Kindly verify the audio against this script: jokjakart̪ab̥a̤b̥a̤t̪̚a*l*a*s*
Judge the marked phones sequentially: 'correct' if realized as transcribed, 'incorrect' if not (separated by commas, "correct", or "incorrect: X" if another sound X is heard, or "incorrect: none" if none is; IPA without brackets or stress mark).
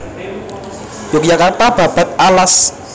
correct, correct